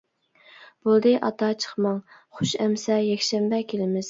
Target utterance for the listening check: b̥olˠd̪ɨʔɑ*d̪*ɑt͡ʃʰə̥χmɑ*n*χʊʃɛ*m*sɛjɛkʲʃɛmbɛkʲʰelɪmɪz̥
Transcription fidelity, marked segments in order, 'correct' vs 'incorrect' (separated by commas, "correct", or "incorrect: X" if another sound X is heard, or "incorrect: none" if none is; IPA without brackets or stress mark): incorrect: t̪, incorrect: ŋ, correct